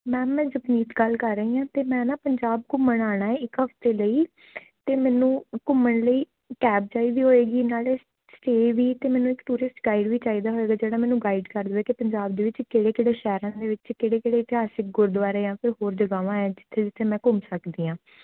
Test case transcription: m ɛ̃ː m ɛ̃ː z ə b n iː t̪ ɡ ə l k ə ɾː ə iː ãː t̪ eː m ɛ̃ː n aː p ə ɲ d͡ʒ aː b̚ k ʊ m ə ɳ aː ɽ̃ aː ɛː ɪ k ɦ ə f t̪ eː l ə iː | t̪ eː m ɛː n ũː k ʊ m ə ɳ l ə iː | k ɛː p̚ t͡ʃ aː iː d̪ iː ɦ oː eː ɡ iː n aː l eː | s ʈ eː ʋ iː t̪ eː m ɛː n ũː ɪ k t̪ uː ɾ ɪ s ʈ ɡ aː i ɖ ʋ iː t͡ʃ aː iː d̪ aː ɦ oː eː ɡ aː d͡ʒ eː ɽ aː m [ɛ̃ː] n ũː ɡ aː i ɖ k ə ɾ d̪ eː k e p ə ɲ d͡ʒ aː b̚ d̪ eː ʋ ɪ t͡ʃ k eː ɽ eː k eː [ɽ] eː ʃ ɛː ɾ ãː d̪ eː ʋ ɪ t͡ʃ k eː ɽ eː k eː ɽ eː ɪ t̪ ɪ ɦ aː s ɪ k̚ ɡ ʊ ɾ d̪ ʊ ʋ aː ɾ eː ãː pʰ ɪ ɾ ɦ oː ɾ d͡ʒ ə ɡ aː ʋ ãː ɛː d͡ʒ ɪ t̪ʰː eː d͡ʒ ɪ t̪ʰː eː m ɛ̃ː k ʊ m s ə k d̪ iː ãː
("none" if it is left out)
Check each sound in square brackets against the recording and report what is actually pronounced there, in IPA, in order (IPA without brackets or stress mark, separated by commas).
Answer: ɛː, ɽ